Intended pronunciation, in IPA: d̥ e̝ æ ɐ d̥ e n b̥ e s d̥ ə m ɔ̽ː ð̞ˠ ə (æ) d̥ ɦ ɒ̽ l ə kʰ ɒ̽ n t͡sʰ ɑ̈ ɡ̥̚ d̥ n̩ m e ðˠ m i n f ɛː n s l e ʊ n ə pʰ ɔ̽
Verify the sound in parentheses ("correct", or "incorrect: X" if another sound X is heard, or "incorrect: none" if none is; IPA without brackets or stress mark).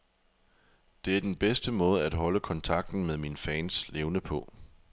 correct